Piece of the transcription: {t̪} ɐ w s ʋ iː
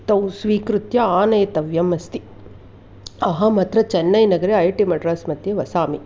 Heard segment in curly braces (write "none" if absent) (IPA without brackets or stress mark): t̪